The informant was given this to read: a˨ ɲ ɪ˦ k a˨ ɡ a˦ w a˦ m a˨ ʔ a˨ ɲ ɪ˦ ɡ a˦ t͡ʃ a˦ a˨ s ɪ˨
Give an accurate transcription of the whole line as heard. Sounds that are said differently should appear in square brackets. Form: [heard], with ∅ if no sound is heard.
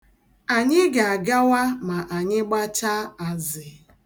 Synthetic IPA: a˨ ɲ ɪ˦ [ɡ] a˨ ɡ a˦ w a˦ m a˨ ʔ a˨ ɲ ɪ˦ [ɡ͡b] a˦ t͡ʃ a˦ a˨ [z] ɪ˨